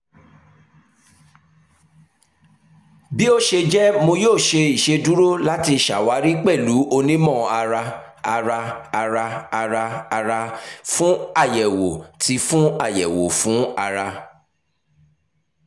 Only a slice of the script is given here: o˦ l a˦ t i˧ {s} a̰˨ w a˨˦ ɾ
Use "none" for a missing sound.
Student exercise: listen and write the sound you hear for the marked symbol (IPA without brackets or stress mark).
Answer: ʃ